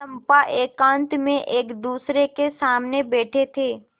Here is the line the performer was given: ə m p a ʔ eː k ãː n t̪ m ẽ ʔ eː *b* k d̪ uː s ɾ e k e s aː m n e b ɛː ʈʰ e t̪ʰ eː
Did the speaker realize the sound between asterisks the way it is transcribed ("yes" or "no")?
no